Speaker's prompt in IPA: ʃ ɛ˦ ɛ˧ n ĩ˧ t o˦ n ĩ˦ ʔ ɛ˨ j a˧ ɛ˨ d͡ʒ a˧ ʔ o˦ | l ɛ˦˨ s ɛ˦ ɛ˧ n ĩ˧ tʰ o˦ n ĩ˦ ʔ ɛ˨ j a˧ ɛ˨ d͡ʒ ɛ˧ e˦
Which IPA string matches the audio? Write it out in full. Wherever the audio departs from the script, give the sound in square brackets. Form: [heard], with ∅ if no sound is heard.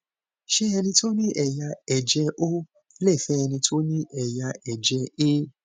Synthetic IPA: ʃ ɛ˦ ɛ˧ n ĩ˧ t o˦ n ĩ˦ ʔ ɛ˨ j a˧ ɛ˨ d͡ʒ [ɛ˧] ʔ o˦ | l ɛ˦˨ [f] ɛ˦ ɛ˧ n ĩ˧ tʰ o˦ n ĩ˦ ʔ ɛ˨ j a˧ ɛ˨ d͡ʒ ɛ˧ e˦